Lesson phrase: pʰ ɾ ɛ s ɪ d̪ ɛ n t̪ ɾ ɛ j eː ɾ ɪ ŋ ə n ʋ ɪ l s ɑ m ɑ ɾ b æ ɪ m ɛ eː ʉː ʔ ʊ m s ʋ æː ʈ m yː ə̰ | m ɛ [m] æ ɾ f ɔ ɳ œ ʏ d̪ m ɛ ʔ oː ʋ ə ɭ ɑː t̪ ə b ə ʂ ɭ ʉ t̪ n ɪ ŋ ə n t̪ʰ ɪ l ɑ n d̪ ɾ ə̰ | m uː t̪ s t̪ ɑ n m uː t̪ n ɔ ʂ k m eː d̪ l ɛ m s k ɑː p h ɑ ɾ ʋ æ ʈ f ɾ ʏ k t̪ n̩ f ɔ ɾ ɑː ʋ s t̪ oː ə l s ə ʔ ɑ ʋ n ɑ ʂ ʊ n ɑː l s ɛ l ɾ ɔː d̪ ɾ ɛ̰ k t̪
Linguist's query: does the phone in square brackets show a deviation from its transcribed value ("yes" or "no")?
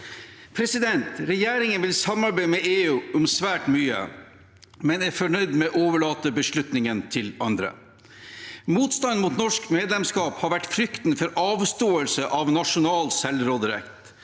yes